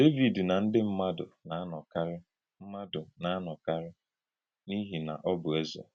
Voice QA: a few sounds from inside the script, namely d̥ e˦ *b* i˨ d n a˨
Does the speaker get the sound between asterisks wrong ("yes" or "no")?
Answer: yes